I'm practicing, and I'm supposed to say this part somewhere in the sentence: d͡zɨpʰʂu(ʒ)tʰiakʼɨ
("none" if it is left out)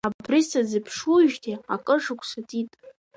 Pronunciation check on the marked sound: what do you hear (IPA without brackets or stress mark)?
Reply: ʒ